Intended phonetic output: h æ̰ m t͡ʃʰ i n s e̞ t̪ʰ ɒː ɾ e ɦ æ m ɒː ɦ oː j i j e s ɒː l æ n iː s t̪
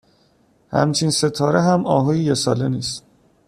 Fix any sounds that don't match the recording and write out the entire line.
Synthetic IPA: h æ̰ m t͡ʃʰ i n s e̞ t̪ʰ ɒː ɾ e ɦ æ m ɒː ɦ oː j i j e s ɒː l e n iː s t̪